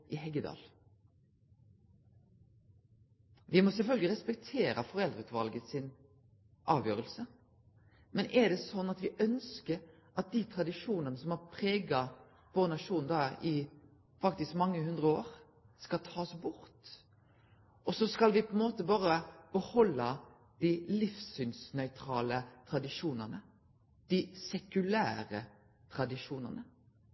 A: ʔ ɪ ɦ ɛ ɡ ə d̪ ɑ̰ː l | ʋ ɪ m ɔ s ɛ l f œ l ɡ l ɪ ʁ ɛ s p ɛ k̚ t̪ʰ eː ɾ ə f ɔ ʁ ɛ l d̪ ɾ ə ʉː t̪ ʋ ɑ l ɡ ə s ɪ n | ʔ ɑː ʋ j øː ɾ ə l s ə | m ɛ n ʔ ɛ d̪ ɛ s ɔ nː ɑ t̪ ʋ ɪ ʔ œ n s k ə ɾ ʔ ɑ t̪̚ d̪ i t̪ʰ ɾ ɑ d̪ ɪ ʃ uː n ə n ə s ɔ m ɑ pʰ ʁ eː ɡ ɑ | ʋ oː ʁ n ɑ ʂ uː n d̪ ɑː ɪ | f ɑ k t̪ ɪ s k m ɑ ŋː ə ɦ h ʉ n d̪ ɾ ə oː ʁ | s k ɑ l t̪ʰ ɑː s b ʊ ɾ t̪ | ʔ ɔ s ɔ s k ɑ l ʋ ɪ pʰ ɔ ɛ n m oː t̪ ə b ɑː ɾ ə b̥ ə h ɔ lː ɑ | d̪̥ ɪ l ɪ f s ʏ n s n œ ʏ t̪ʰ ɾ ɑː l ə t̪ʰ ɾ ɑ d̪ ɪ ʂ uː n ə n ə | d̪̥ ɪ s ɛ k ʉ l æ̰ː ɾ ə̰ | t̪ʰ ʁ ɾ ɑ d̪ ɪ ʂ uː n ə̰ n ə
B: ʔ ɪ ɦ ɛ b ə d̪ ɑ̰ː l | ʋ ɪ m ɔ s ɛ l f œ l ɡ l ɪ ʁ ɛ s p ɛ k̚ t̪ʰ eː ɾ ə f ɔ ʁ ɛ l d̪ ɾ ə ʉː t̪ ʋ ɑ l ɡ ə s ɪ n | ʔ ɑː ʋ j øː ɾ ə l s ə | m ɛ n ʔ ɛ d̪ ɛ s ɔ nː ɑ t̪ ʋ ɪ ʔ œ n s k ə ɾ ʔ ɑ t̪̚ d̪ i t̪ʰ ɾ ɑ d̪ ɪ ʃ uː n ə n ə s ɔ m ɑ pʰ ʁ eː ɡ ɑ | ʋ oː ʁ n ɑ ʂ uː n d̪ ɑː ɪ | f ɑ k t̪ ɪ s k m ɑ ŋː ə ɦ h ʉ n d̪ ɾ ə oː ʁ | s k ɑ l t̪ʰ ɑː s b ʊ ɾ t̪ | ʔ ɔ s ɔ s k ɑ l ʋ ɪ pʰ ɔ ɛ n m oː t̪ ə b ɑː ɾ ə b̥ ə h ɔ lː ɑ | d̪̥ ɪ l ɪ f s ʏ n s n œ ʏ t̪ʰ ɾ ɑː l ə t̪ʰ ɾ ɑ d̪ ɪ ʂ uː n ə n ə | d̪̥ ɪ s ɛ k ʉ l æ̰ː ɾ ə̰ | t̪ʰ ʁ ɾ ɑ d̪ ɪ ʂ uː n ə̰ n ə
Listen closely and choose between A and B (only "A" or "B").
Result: A